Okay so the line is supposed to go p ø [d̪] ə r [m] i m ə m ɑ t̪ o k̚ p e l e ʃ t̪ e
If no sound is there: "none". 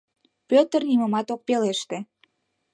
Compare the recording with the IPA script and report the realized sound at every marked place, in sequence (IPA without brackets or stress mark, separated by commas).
t̪, n